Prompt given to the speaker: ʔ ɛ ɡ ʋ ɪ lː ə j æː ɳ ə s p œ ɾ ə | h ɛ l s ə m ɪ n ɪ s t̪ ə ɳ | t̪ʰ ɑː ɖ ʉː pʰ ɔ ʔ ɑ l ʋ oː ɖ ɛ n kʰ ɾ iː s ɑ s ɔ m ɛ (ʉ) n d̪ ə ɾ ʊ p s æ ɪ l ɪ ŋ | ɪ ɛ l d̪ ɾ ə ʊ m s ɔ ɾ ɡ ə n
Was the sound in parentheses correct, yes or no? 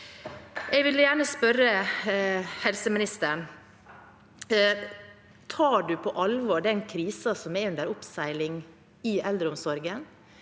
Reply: yes